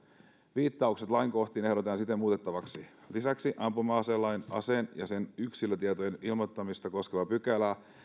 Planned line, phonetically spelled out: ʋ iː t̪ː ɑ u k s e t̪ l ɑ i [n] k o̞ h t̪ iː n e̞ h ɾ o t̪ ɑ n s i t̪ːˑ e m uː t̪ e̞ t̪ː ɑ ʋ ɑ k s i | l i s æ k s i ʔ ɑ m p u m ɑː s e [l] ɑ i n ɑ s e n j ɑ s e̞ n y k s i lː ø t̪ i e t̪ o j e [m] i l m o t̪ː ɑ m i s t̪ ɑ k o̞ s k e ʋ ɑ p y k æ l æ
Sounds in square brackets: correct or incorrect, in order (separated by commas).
incorrect, incorrect, incorrect